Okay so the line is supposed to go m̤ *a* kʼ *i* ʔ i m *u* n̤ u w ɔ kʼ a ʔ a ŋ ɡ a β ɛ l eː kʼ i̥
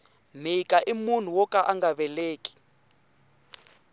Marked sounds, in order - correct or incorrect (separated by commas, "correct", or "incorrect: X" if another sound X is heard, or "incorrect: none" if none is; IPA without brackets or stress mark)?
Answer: incorrect: i, incorrect: a, correct